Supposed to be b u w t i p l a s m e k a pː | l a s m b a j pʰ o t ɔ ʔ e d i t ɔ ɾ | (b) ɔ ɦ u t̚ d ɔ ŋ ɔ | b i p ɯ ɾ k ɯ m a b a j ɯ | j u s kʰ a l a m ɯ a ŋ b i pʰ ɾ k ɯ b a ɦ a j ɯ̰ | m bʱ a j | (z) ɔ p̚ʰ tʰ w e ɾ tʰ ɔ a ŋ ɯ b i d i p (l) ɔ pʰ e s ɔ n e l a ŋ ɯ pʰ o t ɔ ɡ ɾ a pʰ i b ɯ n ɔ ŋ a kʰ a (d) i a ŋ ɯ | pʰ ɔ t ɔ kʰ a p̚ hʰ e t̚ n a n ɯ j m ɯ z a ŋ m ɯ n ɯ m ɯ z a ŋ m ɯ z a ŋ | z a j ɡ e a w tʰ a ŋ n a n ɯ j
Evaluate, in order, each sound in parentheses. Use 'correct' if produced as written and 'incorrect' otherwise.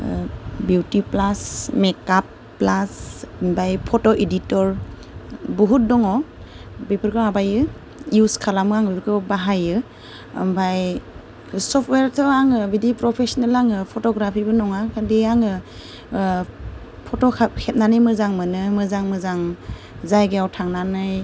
correct, incorrect: s, incorrect: ɾ, correct

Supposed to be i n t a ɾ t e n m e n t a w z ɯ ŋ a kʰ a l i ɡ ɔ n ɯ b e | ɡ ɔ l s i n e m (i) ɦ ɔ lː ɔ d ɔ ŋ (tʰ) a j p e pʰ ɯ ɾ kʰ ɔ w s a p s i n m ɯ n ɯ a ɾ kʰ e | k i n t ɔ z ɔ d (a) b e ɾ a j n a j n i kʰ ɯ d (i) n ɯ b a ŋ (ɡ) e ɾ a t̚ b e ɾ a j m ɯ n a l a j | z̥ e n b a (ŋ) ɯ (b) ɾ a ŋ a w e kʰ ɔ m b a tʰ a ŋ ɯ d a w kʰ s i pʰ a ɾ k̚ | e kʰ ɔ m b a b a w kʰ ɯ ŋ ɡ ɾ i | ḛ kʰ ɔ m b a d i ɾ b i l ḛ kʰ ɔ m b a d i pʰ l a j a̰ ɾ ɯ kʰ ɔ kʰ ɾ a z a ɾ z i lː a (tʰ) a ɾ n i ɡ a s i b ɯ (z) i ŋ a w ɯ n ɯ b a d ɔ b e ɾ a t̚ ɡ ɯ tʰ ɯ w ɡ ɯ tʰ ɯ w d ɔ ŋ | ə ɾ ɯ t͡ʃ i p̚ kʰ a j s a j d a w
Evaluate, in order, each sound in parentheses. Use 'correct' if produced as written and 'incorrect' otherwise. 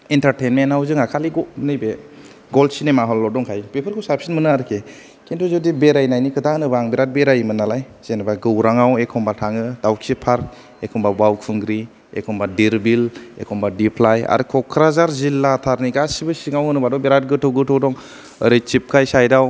incorrect: a, incorrect: kʰ, incorrect: i, incorrect: a, incorrect: b, incorrect: ɡ, incorrect: w, correct, incorrect: s

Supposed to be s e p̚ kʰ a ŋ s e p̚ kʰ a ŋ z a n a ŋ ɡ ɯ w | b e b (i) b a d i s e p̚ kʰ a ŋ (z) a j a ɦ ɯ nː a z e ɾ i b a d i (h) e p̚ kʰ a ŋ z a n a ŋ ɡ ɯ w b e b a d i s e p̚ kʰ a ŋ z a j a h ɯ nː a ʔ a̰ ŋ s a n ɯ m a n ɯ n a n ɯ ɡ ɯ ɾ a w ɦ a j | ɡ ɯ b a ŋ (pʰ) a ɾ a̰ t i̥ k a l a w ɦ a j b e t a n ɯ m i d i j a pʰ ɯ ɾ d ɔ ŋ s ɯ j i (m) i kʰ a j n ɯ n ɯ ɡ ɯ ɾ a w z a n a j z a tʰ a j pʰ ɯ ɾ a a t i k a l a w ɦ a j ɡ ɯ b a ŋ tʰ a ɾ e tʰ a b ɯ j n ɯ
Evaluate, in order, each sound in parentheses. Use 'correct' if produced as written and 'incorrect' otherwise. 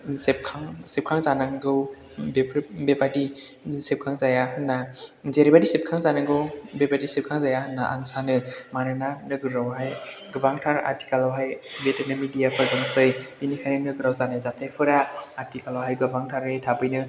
incorrect: e, correct, incorrect: s, incorrect: tʰ, incorrect: n

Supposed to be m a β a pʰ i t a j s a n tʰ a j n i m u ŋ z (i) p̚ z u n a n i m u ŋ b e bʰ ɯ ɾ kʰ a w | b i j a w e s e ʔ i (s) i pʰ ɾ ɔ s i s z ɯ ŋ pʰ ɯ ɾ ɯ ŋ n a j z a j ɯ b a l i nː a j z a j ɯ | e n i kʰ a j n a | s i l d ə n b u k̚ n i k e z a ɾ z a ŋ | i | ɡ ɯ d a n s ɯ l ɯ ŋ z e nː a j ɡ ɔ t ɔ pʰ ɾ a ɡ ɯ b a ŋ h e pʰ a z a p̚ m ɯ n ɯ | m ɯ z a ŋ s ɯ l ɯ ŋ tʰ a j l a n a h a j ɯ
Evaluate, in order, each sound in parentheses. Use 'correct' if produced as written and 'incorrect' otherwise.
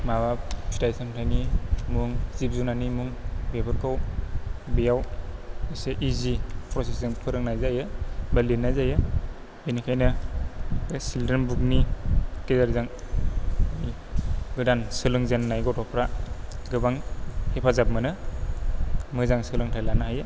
correct, incorrect: z

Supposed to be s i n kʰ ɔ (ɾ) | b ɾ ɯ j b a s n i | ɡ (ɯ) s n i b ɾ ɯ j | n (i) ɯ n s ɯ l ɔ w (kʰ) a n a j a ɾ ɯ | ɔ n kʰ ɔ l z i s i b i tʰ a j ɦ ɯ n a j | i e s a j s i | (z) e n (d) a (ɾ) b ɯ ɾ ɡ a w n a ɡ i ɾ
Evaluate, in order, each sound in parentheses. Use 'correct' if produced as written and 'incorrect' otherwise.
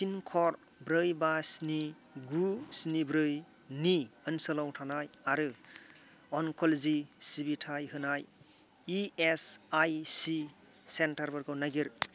correct, incorrect: u, correct, incorrect: tʰ, incorrect: s, incorrect: t, correct

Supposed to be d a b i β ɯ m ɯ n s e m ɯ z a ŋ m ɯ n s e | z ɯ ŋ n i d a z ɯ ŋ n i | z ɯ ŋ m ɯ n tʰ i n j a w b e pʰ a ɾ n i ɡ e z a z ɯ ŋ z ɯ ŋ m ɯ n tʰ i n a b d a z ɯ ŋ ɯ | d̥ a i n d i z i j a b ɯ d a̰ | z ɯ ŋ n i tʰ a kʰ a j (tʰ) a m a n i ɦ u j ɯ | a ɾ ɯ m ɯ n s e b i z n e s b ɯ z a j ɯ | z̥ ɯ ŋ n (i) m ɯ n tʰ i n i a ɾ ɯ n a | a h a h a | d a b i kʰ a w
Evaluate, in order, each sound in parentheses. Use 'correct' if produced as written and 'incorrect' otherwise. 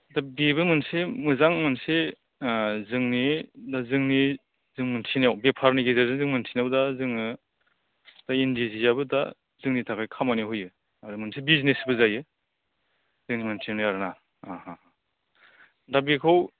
incorrect: kʰ, correct

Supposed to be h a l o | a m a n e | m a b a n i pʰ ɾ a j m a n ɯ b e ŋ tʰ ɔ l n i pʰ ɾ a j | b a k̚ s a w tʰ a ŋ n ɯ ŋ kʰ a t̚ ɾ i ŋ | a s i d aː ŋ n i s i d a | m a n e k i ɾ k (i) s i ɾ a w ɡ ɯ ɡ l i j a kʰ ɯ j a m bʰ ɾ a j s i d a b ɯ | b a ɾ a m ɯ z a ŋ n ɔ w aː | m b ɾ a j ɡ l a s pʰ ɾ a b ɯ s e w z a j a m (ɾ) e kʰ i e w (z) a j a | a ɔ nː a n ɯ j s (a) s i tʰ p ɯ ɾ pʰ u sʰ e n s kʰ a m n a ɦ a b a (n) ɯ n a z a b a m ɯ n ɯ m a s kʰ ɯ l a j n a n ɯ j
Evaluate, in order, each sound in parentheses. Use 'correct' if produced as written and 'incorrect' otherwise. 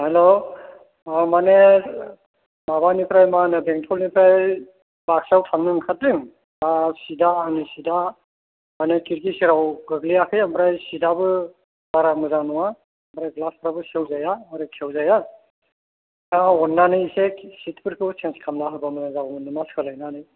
correct, correct, correct, incorrect: e, incorrect: m

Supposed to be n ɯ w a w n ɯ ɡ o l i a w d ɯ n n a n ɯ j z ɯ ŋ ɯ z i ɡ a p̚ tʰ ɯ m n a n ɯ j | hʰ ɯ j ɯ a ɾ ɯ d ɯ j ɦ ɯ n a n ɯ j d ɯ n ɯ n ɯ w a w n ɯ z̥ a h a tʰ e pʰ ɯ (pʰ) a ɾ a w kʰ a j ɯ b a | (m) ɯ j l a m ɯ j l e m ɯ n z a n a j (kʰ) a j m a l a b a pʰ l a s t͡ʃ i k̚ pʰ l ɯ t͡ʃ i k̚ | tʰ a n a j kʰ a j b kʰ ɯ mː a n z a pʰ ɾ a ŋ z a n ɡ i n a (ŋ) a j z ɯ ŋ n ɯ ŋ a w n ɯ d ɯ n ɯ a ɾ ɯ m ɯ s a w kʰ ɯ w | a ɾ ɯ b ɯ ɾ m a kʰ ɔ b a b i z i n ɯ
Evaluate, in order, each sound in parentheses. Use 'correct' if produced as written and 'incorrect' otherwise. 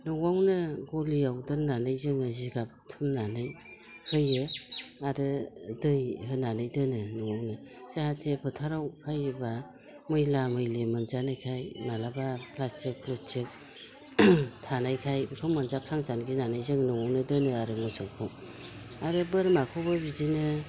incorrect: tʰ, correct, correct, incorrect: n

